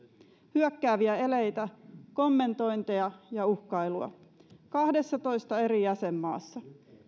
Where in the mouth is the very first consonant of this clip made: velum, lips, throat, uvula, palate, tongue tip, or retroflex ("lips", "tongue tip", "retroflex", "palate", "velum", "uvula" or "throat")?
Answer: throat